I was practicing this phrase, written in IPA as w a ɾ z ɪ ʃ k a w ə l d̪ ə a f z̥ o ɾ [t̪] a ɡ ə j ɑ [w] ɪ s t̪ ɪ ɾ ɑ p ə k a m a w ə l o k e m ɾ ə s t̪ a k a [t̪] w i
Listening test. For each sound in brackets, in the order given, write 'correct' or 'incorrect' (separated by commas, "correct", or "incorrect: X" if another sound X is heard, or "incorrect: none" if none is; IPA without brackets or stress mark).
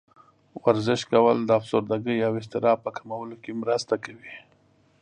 incorrect: d̪, correct, incorrect: none